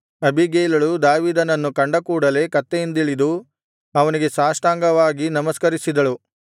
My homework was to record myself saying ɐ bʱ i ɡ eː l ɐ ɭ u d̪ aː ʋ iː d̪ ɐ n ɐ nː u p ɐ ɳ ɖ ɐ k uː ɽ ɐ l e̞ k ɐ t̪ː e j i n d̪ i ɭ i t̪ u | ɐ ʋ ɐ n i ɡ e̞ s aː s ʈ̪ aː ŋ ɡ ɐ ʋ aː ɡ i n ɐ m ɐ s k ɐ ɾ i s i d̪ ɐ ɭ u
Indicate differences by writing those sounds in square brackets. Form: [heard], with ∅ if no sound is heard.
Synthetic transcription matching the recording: ɐ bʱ i ɡ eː l ɐ ɭ u d̪ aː ʋ iː d̪ ɐ n ɐ nː u [k] ɐ ɳ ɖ ɐ k uː ɽ ɐ l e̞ k ɐ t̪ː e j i n d̪ i ɭ i [d̪] u | ɐ ʋ ɐ n i ɡ e̞ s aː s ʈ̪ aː ŋ ɡ ɐ ʋ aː ɡ i n ɐ m ɐ s k ɐ ɾ i s i d̪ ɐ ɭ u